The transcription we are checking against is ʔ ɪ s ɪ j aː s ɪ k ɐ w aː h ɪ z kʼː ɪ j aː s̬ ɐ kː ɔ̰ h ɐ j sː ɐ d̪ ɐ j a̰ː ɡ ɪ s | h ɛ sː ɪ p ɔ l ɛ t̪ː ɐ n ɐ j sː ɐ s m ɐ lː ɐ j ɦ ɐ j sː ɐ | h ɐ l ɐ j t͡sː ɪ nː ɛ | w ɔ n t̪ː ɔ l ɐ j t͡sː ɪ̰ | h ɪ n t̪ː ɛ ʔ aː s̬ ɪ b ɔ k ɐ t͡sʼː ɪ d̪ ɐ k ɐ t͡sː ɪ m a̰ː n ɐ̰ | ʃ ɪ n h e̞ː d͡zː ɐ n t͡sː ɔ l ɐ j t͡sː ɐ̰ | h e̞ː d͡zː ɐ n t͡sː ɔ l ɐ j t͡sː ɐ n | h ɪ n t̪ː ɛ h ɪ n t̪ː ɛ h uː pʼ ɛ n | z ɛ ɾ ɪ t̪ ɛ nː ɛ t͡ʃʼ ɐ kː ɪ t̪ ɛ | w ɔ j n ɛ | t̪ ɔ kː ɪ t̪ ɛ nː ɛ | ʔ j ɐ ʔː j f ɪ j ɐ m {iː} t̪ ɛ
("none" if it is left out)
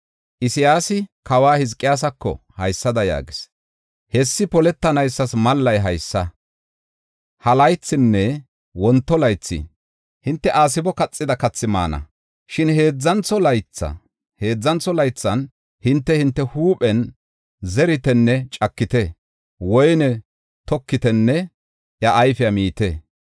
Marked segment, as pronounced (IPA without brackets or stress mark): iː